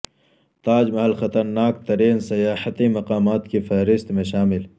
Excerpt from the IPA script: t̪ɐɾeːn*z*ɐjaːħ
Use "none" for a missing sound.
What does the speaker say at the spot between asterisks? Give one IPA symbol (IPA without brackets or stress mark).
s